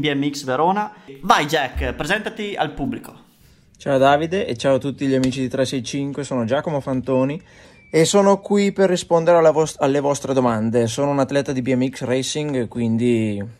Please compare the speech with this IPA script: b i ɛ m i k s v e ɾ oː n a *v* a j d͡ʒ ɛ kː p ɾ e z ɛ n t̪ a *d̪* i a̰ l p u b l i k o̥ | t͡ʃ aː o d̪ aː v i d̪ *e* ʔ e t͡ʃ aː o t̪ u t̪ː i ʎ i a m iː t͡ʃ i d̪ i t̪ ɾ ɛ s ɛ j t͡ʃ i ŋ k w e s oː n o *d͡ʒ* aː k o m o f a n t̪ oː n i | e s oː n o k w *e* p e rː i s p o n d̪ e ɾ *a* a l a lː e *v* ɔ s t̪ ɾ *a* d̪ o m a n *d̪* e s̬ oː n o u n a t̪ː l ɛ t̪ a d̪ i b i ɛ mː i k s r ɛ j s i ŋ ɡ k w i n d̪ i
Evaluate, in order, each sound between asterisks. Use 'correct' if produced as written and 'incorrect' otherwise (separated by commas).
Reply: correct, incorrect, correct, correct, incorrect, incorrect, correct, incorrect, correct